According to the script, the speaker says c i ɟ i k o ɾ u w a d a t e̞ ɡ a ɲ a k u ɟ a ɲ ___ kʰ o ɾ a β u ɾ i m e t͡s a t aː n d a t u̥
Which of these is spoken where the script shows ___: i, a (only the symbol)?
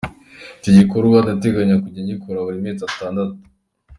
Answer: i